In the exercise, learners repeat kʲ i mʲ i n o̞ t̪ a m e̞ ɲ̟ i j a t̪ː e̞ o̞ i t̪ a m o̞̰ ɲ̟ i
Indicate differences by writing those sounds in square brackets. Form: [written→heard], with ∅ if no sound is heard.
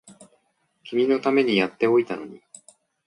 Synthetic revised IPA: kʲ i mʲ i n o̞ t̪ a m e̞ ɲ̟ i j a t̪ː e̞ o̞ i t̪ a [m→n] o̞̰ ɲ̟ i